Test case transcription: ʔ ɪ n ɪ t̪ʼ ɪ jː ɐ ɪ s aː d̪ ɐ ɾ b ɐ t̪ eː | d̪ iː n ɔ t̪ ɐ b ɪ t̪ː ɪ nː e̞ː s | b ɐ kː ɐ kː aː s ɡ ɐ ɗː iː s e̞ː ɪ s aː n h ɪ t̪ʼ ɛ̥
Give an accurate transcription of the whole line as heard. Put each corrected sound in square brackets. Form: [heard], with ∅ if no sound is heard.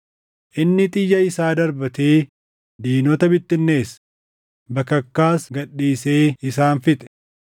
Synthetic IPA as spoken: ʔ ɪ [nː] ɪ t̪ʼ ɪ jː ɐ ɪ s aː d̪ ɐ ɾ b ɐ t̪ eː | d̪ iː n ɔ t̪ ɐ b ɪ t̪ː ɪ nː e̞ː s | b ɐ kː ɐ kː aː s ɡ ɐ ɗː iː s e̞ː ɪ s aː n [f] ɪ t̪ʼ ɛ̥